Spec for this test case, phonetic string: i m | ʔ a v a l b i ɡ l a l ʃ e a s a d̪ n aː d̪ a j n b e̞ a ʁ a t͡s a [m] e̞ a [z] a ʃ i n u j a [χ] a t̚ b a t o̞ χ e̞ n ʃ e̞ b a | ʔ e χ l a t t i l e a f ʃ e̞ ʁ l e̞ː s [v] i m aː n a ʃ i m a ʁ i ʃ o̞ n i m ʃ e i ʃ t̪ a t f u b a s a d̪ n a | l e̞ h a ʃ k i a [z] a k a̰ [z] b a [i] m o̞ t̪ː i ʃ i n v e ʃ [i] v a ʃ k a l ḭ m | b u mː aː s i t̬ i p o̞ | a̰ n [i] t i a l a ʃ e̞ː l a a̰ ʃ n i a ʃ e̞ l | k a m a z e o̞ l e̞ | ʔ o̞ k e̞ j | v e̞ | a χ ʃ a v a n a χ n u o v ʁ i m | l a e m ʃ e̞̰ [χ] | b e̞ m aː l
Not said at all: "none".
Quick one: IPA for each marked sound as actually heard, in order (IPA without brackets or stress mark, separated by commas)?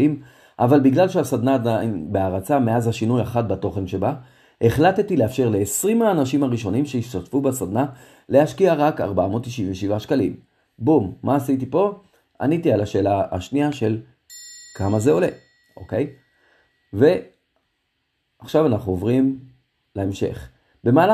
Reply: m, z, χ, ʁ, ʁ, ʁ, a, i, i, χ